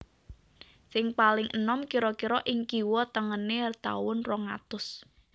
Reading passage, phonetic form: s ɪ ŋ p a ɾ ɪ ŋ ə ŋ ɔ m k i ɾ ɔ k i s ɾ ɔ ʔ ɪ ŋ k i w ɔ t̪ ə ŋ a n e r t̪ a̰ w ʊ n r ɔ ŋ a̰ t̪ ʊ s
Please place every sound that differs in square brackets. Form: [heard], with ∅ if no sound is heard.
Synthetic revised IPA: s ɪ ŋ p a [l] ɪ ŋ ə [n] ɔ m k i ɾ ɔ k i [∅] ɾ ɔ ʔ ɪ ŋ k i w ɔ t̪ ə ŋ [ə] n e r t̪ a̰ w ʊ n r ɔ ŋ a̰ t̪ ʊ s